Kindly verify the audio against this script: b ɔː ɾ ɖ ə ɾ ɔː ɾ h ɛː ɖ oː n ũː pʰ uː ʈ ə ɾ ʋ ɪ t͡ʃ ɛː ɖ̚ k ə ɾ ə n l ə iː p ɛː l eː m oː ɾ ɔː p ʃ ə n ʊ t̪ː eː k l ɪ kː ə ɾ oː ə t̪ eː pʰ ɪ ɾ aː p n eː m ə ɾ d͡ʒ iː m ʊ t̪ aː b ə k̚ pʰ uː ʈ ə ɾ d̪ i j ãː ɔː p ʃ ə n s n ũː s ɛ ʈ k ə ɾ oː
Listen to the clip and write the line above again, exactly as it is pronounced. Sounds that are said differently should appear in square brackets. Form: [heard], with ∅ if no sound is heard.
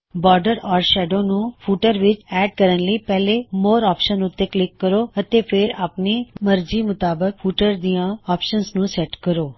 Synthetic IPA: b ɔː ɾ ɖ ə ɾ ɔː ɾ [ʃ] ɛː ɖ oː n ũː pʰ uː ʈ ə ɾ ʋ ɪ t͡ʃ ɛː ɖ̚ k ə ɾ ə n l ə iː p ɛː l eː m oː ɾ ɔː p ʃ ə n ʊ t̪ː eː k l ɪ kː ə ɾ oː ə t̪ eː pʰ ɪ ɾ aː p n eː m ə ɾ d͡ʒ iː m ʊ t̪ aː b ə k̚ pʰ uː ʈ ə ɾ d̪ i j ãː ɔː p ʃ ə n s n ũː s ɛ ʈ k ə ɾ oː

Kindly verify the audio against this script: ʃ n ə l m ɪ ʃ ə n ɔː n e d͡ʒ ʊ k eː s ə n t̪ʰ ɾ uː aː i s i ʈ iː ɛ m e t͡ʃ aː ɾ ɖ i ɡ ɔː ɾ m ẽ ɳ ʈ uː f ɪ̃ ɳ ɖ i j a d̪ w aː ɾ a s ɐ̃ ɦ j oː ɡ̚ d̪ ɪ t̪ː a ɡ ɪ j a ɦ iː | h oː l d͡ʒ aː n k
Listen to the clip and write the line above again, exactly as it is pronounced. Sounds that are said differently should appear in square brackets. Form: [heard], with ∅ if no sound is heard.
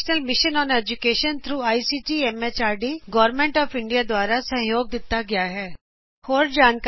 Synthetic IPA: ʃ n ə l m ɪ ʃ ə n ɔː n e d͡ʒ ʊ k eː [ʃ] ə n t̪ʰ ɾ uː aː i s i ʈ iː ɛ m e t͡ʃ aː ɾ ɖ i ɡ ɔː ɾ m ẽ ɳ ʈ [ɔː] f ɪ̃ ɳ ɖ i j a d̪ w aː ɾ a s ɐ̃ ɦ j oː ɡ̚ d̪ ɪ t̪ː a ɡ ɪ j a ɦ [ɛː] | h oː [ɾ] d͡ʒ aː n k

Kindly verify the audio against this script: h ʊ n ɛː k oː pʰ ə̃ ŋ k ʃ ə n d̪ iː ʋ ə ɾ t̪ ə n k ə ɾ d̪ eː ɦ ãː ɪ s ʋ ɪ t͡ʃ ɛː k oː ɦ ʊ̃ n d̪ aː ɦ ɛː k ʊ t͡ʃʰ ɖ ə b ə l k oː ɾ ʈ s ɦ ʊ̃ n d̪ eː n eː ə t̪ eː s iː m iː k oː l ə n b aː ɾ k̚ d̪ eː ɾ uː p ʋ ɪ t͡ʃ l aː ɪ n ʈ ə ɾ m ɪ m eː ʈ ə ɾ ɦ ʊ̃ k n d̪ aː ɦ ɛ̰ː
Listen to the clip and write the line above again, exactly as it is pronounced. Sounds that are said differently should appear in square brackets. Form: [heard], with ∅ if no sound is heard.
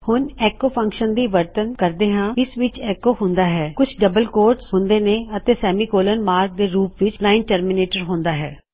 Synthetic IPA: h ʊ n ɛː k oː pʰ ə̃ ŋ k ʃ ə n d̪ iː ʋ ə ɾ t̪ ə n k ə ɾ d̪ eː ɦ ãː ɪ s ʋ ɪ t͡ʃ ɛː k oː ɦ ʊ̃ n d̪ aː ɦ ɛː k ʊ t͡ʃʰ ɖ ə b ə l k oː ɾ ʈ s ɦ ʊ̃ n d̪ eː n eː ə t̪ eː s [ɛː] m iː k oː l ə n [m] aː ɾ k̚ d̪ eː ɾ uː p ʋ ɪ t͡ʃ l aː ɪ n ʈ ə ɾ m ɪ [n] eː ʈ ə ɾ ɦ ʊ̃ [∅] n d̪ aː ɦ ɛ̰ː

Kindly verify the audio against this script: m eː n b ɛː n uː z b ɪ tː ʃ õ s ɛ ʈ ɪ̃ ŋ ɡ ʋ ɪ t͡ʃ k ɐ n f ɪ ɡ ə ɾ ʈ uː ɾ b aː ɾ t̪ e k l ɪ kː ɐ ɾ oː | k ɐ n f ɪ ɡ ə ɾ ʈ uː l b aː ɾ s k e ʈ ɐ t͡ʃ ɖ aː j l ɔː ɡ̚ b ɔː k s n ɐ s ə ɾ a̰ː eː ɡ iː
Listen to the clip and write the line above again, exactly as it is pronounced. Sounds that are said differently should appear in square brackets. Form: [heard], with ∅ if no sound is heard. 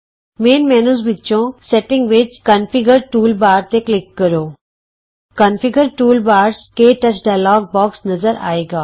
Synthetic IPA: m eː n [m] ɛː n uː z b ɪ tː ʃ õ s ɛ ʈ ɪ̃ ŋ ɡ ʋ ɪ t͡ʃ k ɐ n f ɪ ɡ ə ɾ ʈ uː [l] b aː ɾ t̪ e k l ɪ kː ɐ ɾ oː | k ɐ n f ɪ ɡ ə ɾ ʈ uː l b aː ɾ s k e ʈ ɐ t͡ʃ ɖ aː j l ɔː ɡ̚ b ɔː k s n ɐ [z] ə ɾ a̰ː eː ɡ [aː]

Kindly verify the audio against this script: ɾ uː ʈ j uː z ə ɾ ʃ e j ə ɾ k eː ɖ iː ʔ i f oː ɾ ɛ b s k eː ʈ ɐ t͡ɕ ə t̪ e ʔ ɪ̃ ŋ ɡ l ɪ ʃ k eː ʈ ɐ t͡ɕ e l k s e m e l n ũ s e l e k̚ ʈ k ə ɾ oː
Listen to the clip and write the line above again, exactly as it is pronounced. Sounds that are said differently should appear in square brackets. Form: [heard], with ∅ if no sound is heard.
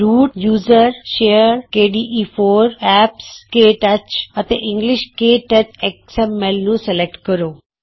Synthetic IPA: ɾ uː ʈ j uː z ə ɾ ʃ e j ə ɾ k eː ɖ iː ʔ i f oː ɾ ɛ [p] s k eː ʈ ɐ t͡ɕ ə t̪ e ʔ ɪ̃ ŋ ɡ l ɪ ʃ k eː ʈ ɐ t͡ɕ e [∅] k s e m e l n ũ s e l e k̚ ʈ k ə ɾ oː

